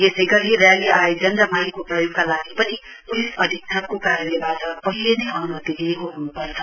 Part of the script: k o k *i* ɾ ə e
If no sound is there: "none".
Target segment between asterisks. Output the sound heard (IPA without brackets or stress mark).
a